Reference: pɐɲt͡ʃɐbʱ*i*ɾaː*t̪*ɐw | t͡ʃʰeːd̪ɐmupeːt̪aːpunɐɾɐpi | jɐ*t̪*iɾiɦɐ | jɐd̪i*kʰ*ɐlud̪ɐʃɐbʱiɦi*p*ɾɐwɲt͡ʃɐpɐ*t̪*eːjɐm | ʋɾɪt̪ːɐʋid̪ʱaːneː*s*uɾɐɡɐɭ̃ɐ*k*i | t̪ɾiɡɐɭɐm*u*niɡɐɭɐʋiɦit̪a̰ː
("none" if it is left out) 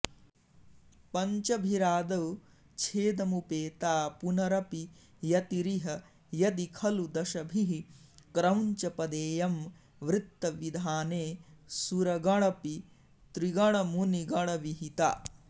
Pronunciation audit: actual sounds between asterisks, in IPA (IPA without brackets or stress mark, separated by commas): i, d̪, t̪, kʰ, k, d̪, s, p, u